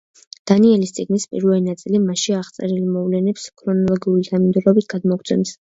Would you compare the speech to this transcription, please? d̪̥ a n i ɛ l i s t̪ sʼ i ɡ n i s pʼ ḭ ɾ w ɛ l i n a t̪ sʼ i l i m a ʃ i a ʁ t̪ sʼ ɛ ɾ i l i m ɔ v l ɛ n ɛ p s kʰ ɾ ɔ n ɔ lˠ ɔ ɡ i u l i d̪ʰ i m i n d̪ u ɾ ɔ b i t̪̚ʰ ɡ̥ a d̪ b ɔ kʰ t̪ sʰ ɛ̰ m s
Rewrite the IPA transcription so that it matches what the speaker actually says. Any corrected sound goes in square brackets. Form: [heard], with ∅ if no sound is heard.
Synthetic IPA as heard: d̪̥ a n i ɛ l i s t̪ sʼ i ɡ n i s pʼ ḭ ɾ [v] ɛ l i n a t̪ sʼ i l i m a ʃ i a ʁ t̪ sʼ ɛ ɾ i l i m ɔ v l ɛ n ɛ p s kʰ ɾ ɔ n ɔ lˠ ɔ ɡ i u l i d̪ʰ [a] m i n d̪ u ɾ ɔ b i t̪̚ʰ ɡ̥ a d̪ [m] ɔ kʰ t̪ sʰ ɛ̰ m s